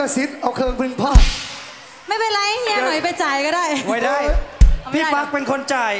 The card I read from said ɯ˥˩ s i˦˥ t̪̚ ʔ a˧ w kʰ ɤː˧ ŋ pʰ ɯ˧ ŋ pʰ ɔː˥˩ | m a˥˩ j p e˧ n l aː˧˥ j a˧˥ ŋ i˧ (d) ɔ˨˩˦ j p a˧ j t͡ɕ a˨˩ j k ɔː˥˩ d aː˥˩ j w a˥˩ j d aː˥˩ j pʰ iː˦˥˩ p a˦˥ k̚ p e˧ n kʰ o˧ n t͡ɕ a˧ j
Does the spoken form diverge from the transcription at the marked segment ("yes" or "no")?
yes